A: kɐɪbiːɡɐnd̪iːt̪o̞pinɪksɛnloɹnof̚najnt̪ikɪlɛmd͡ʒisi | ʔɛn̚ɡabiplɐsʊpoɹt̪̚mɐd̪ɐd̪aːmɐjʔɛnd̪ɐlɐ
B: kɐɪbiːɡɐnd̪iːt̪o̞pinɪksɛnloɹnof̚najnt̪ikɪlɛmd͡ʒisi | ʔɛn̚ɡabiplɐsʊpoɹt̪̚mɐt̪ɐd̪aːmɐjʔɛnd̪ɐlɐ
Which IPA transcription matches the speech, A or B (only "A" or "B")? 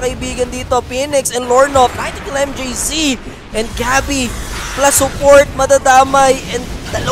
A